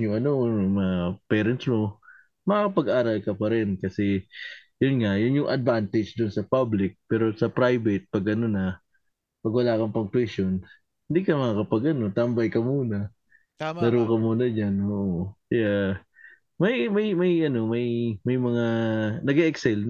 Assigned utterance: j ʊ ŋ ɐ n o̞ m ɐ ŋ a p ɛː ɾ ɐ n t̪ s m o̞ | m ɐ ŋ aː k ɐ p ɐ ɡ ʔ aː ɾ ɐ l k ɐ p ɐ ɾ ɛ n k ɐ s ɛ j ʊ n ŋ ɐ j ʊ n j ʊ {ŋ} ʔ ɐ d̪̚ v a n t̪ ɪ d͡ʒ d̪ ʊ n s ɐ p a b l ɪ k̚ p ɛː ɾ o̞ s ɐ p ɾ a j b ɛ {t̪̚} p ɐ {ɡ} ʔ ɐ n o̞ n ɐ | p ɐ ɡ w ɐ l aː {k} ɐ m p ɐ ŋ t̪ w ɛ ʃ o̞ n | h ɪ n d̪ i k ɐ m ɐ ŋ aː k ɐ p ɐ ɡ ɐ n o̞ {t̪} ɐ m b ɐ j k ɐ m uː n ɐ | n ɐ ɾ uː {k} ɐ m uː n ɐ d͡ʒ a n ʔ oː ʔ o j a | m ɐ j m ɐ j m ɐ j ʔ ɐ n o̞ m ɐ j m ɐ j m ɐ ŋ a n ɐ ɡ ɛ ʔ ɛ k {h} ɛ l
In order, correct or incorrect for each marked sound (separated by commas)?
correct, correct, correct, correct, correct, correct, incorrect